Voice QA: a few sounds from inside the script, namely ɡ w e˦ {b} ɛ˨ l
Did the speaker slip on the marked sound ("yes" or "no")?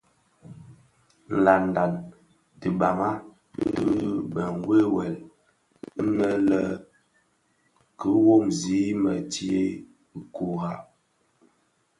yes